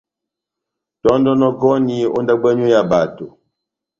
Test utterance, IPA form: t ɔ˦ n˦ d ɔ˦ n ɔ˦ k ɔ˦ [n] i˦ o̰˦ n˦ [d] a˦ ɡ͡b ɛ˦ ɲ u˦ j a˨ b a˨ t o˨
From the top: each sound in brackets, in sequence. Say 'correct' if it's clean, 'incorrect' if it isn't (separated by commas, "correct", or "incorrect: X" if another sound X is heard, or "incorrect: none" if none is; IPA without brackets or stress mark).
correct, correct